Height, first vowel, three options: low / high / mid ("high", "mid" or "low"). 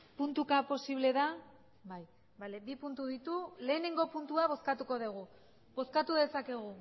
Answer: high